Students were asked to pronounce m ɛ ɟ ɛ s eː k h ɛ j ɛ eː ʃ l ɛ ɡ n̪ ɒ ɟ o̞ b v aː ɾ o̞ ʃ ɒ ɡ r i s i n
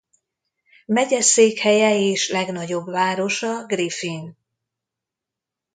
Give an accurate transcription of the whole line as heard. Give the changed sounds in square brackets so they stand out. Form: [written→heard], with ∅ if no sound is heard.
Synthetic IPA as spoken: m ɛ ɟ ɛ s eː k h ɛ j ɛ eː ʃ l ɛ ɡ n̪ ɒ ɟ o̞ b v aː ɾ o̞ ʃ ɒ ɡ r i [s→f] i n